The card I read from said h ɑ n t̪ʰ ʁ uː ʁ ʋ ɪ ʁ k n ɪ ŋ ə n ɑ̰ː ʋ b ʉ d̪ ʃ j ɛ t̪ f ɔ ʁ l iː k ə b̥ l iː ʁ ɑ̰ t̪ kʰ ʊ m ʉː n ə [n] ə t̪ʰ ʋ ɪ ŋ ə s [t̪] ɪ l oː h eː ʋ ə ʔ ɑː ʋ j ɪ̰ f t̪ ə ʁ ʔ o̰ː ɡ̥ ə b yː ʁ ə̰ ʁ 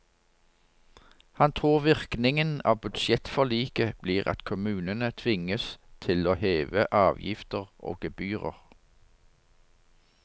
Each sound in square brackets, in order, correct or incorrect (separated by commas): correct, incorrect